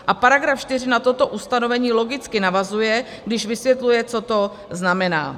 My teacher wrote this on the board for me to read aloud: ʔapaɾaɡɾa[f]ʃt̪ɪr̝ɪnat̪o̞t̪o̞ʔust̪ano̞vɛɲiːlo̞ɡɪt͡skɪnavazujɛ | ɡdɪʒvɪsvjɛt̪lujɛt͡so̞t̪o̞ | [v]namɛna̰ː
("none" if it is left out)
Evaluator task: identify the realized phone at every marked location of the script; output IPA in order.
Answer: f, z

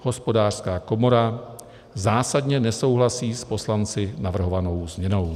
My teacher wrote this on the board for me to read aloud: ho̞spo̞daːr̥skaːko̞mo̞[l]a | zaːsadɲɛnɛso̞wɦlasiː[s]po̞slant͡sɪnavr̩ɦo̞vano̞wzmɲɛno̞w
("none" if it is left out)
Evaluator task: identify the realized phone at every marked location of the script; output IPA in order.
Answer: ɾ, s

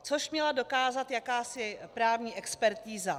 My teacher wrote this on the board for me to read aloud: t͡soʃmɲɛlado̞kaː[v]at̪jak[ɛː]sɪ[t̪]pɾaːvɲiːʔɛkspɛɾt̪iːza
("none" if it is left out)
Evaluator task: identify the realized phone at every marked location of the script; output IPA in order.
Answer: z, aː, none

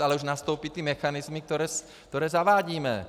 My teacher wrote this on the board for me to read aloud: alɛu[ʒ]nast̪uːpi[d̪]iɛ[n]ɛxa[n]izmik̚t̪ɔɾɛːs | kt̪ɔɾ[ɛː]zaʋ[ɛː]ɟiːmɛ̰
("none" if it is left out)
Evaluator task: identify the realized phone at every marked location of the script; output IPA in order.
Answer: ʒ, t̪, m, n, ɛː, aː

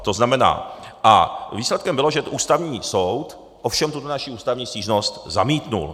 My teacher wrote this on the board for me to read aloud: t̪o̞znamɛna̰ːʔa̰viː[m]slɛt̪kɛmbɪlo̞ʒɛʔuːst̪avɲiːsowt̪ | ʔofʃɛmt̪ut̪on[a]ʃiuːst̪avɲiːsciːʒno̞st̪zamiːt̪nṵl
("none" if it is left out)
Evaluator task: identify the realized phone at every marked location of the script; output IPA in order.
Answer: none, a

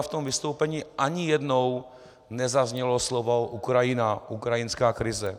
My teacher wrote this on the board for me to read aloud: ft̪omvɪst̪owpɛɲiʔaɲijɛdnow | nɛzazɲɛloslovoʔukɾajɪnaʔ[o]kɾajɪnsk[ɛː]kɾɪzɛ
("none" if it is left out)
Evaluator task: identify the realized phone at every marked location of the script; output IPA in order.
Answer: u, aː

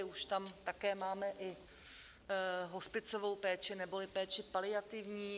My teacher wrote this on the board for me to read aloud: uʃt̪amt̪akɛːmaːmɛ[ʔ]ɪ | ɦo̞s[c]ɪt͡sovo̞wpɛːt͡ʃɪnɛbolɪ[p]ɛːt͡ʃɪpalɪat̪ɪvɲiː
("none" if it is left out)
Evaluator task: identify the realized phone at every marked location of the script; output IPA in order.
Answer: ʔ, p, p

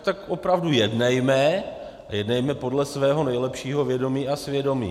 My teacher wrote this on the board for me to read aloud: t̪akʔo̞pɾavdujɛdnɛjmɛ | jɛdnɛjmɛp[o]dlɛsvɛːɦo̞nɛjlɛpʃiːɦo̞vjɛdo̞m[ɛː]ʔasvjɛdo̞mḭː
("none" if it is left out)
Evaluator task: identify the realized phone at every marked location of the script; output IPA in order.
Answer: o, iː

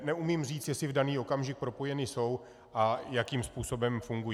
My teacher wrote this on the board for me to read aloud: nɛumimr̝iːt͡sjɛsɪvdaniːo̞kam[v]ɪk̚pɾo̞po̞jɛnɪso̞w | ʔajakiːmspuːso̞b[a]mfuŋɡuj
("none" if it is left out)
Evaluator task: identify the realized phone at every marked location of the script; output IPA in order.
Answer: ʒ, ɛ

